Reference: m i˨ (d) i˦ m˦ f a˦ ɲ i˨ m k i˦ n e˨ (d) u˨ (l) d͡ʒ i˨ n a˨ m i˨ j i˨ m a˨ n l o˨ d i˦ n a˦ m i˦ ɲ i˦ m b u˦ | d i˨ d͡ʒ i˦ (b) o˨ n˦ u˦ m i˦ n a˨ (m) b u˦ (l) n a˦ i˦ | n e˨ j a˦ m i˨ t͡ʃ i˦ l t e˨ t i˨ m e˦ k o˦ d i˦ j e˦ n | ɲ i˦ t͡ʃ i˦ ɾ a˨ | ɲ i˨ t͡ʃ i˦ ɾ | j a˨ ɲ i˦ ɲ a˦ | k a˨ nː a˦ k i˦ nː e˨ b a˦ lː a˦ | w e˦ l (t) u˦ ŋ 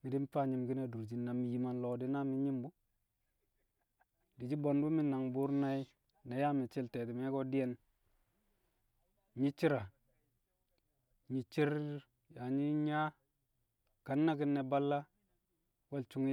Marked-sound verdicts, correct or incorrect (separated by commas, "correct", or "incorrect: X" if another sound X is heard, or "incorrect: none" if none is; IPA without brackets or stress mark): correct, correct, incorrect: ɾ, correct, incorrect: ŋ, incorrect: ɾ, incorrect: t͡ʃ